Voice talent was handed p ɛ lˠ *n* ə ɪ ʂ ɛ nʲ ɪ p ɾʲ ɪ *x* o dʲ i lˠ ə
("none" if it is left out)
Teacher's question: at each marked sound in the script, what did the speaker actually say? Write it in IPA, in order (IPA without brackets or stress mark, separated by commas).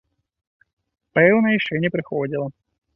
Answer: n, x